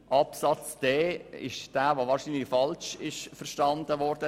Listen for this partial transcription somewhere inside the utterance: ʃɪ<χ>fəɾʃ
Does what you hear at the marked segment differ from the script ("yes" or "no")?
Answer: yes